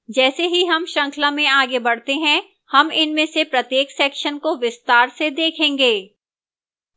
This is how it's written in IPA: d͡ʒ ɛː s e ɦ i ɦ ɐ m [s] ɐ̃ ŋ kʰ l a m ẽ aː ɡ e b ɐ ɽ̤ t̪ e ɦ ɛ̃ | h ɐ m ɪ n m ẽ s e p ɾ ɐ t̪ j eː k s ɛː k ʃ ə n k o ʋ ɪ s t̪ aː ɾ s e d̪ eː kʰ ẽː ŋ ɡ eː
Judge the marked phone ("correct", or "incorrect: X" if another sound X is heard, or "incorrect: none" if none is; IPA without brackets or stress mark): incorrect: ʃ